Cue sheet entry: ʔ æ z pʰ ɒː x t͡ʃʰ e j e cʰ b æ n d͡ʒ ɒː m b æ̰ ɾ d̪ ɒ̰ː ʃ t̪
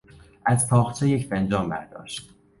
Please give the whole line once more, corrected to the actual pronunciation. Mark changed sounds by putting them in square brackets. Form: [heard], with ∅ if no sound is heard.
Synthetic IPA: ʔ æ z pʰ ɒː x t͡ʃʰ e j e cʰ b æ n d͡ʒ ɒː m b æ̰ ɾ d̪ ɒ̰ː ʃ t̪